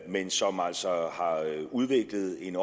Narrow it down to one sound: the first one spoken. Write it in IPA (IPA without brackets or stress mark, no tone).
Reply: m